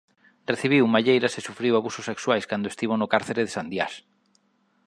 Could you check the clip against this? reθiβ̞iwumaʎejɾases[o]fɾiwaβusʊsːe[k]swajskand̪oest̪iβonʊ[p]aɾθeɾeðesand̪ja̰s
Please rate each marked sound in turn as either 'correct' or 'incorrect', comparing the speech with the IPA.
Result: incorrect: u, correct, incorrect: k

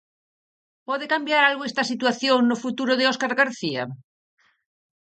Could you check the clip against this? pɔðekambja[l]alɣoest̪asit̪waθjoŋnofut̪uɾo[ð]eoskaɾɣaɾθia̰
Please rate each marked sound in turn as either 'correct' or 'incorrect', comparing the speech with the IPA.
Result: incorrect: ɾ, correct

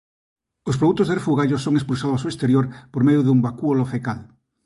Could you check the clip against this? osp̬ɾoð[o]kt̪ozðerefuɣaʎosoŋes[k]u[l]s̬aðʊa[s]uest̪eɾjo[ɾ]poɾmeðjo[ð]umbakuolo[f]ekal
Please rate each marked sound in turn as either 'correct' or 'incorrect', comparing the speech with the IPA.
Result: incorrect: u, incorrect: p, correct, correct, correct, correct, correct

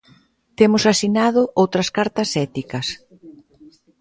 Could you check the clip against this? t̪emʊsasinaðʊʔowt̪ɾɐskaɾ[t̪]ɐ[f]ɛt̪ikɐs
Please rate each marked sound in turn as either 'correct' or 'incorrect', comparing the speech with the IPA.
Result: correct, incorrect: s

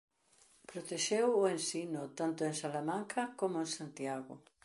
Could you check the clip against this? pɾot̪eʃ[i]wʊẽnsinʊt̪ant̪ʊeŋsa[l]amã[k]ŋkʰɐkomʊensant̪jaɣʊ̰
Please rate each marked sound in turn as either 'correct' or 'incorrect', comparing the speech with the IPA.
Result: incorrect: e, correct, incorrect: none

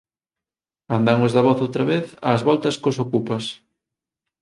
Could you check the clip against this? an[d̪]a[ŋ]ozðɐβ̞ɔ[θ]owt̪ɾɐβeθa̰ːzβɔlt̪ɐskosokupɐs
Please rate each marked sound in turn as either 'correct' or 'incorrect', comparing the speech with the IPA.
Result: correct, correct, correct

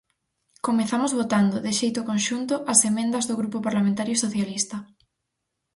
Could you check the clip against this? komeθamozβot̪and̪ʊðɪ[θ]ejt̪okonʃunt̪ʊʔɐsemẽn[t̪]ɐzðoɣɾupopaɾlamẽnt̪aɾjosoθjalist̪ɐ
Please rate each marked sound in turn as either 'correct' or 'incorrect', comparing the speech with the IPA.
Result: incorrect: ʃ, incorrect: d̪

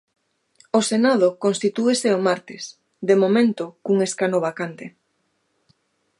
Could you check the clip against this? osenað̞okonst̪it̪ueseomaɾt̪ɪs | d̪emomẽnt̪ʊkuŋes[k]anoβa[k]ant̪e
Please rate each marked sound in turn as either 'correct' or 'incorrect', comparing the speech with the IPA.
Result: correct, correct

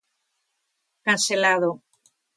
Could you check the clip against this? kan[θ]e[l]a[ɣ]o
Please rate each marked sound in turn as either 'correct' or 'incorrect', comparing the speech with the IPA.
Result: incorrect: s, correct, incorrect: ð

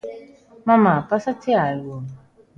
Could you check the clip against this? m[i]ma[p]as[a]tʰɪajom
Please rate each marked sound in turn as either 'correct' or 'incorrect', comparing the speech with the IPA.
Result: incorrect: a, correct, correct

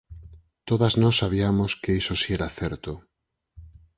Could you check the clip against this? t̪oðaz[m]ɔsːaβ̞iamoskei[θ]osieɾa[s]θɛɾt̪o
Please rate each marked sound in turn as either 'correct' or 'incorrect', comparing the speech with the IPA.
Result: incorrect: n, incorrect: s, incorrect: none

